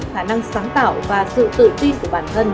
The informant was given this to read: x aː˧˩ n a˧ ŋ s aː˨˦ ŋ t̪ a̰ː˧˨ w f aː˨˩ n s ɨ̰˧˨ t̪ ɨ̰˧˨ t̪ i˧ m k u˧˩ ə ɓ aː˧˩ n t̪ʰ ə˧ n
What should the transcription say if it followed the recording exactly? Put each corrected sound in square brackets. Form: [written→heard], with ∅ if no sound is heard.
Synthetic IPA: x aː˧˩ n a˧ ŋ s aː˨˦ ŋ t̪ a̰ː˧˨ w [f→v] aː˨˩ [n→∅] s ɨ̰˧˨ t̪ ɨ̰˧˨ t̪ i˧ [m→n] k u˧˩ ə ɓ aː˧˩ n t̪ʰ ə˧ n

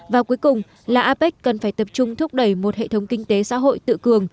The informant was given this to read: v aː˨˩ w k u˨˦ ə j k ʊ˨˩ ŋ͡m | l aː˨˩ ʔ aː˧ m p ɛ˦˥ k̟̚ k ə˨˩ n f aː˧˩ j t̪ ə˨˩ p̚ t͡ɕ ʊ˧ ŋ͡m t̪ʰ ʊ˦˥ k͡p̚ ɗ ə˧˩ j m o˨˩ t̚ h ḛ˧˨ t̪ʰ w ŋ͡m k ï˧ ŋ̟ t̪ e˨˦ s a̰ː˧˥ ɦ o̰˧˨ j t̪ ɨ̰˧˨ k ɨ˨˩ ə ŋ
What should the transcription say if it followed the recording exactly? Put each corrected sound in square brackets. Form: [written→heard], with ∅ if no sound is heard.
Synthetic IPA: v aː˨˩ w k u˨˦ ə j k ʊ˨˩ ŋ͡m | l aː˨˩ ʔ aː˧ [m→∅] p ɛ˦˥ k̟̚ k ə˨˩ n f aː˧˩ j t̪ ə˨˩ p̚ t͡ɕ ʊ˧ ŋ͡m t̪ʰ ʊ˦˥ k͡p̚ ɗ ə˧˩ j m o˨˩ t̚ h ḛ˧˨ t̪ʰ w ŋ͡m k ï˧ ŋ̟ t̪ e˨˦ s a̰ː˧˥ ɦ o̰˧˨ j t̪ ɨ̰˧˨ k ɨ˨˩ ə ŋ

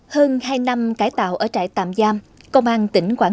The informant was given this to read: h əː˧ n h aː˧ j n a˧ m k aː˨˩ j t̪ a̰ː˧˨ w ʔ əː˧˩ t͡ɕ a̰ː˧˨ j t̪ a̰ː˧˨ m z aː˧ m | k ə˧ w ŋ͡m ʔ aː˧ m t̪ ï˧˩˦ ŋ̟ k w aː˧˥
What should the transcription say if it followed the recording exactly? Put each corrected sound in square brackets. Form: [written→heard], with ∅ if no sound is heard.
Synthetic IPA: h əː˧ n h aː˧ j n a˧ m k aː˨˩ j t̪ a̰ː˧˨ w ʔ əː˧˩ t͡ɕ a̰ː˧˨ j t̪ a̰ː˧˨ m z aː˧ m | k ə˧ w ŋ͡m ʔ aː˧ [m→n] t̪ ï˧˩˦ ŋ̟ k w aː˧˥

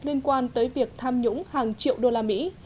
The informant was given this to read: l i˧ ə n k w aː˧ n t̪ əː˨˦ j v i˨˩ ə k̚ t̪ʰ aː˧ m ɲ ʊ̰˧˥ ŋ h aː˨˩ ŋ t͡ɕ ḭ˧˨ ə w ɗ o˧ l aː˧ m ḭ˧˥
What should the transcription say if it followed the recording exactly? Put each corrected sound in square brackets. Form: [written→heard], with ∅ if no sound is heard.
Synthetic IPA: l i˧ ə n k w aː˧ n t̪ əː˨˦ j v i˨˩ ə k̚ t̪ʰ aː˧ m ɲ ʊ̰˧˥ [ŋ→ŋ͡m] h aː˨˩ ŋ t͡ɕ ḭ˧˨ ə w ɗ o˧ l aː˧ m ḭ˧˥

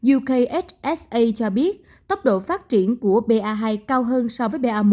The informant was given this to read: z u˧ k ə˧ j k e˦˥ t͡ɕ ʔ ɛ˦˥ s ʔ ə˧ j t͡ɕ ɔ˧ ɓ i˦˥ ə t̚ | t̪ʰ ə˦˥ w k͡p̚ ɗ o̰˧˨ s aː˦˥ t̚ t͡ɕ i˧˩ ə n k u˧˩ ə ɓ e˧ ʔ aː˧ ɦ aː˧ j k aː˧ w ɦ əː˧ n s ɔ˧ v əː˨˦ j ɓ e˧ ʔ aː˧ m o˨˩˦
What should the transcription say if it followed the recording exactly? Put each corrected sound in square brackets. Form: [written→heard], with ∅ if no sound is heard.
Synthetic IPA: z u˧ k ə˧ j [k→ʔ] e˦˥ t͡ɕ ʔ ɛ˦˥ s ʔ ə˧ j t͡ɕ ɔ˧ ɓ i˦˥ ə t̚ | [t̪ʰ→t̪] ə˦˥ w k͡p̚ ɗ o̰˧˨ [s→f] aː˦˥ t̚ t͡ɕ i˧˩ ə n k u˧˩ ə ɓ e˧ ʔ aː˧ ɦ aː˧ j k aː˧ w ɦ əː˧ n s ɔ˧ v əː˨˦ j ɓ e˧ ʔ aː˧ m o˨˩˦

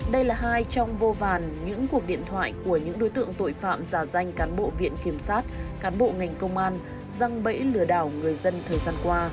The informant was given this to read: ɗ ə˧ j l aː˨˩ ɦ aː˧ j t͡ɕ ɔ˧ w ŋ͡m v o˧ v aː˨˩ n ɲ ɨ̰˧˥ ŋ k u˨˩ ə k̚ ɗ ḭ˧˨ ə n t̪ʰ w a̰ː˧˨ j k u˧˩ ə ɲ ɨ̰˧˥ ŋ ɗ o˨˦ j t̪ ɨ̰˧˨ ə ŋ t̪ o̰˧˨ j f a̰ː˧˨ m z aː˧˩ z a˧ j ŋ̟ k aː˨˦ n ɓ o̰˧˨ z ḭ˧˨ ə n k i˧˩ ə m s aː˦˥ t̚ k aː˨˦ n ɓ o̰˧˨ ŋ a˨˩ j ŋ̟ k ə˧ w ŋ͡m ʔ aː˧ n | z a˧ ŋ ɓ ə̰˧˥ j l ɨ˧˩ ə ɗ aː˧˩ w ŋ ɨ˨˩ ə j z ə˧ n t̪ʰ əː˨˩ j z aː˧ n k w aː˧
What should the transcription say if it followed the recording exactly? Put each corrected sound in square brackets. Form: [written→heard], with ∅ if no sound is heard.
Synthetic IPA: ɗ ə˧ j l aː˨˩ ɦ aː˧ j t͡ɕ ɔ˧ w ŋ͡m v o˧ v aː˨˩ n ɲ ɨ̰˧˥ ŋ k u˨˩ ə k̚ ɗ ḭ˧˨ ə n t̪ʰ w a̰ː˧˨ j k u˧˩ ə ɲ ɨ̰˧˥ ŋ ɗ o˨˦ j t̪ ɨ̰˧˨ ə ŋ t̪ o̰˧˨ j f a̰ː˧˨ m z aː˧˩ z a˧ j ŋ̟ k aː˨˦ n ɓ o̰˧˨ [z→v] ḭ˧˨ ə n k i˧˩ ə m s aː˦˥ t̚ k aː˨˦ n ɓ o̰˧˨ ŋ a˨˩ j ŋ̟ k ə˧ w ŋ͡m ʔ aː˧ n | z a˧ ŋ ɓ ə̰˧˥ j l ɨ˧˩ ə ɗ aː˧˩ w ŋ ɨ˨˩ ə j z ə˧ n t̪ʰ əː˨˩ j z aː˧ n k w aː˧

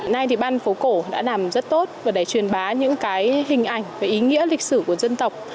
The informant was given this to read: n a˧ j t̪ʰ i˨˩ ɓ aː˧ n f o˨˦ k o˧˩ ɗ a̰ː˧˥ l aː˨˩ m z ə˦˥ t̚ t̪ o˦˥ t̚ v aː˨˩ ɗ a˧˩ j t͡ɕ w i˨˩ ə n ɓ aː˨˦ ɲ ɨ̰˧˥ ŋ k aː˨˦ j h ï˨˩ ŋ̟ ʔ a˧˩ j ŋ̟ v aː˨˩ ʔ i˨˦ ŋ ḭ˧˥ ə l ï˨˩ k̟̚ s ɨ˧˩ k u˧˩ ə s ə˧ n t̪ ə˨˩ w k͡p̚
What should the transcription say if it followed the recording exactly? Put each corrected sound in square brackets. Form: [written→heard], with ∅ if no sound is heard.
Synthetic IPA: n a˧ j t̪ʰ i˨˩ ɓ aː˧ n f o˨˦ k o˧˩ ɗ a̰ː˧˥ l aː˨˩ m z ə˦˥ t̚ t̪ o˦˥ t̚ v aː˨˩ ɗ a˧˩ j t͡ɕ w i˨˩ ə n ɓ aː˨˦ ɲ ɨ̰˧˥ ŋ k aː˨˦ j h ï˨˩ ŋ̟ ʔ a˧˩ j ŋ̟ v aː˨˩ ʔ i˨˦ ŋ ḭ˧˥ ə l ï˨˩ k̟̚ s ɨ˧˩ k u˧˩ ə [s→z] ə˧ n t̪ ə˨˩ w k͡p̚

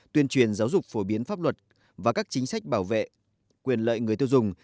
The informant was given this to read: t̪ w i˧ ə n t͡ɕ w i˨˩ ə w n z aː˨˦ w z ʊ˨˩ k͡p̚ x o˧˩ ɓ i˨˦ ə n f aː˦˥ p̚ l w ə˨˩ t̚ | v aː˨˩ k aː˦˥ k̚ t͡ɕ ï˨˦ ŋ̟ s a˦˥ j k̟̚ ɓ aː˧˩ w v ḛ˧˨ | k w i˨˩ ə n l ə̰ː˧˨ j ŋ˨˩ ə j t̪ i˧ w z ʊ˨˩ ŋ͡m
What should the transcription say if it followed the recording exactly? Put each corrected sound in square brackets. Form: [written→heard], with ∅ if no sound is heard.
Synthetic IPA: t̪ w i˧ ə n t͡ɕ w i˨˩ ə [w→∅] n z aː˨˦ w z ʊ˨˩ k͡p̚ [x→f] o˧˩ ɓ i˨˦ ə n f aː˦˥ p̚ l w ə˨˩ t̚ | v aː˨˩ k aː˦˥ k̚ t͡ɕ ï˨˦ ŋ̟ s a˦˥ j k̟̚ ɓ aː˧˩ w v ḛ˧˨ | k w i˨˩ ə n l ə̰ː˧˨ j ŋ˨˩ ə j t̪ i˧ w z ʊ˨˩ ŋ͡m

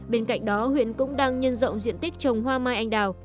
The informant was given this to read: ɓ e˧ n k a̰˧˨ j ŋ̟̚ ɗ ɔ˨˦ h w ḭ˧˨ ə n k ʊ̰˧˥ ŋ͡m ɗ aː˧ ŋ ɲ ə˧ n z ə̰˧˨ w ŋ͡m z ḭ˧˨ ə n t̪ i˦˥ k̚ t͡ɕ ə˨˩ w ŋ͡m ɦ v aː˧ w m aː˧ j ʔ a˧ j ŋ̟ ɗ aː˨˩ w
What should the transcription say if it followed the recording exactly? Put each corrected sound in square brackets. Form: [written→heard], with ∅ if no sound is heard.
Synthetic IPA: ɓ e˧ n k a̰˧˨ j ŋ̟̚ ɗ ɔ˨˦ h w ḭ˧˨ ə n k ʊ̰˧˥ ŋ͡m ɗ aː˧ ŋ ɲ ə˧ n z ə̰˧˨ w ŋ͡m z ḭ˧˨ ə n t̪ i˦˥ k̚ t͡ɕ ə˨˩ w ŋ͡m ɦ [v→w] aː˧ [w→∅] m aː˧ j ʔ a˧ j ŋ̟ ɗ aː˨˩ w

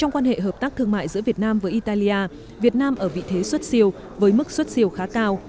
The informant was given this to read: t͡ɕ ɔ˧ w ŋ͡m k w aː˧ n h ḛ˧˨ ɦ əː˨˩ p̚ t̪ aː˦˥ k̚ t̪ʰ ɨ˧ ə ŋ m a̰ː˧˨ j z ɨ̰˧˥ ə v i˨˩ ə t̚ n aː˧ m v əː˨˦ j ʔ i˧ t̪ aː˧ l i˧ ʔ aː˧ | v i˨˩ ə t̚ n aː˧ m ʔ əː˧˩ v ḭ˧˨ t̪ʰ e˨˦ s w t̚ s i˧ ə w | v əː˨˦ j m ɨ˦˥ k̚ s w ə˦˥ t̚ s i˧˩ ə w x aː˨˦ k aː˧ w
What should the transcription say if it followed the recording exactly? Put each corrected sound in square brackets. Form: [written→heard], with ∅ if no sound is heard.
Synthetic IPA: t͡ɕ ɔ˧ w ŋ͡m k w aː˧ n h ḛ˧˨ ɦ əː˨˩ p̚ t̪ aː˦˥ k̚ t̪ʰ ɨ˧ ə ŋ m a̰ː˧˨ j z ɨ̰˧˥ ə v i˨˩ ə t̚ n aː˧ m v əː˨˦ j ʔ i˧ t̪ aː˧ l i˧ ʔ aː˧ | v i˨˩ ə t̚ n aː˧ m ʔ əː˧˩ v ḭ˧˨ t̪ʰ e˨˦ s w t̚ s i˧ ə w | v əː˨˦ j m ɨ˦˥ k̚ s w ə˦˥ t̚ s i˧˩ ə w x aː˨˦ k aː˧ w

